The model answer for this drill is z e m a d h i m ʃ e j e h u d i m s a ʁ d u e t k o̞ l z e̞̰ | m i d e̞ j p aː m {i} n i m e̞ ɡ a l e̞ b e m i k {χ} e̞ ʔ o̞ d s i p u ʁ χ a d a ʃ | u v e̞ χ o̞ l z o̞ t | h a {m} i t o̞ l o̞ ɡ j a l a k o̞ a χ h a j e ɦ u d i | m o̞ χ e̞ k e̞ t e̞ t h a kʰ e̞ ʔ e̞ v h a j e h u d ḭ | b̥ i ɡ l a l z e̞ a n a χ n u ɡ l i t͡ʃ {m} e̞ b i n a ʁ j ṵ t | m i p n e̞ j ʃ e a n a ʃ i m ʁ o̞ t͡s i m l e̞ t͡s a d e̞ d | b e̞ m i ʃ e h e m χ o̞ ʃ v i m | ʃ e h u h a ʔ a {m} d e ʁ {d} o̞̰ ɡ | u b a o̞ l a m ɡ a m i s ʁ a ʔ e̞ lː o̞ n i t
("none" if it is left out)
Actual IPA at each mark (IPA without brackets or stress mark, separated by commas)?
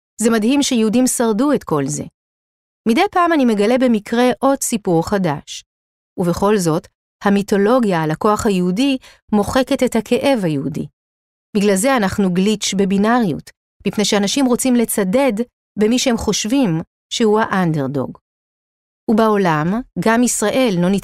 a, ʁ, m, b, n, d